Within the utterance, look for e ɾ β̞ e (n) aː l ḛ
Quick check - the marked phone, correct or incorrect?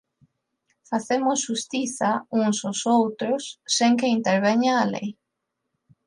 incorrect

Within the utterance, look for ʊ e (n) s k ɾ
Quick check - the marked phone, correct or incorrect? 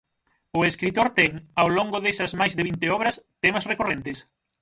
incorrect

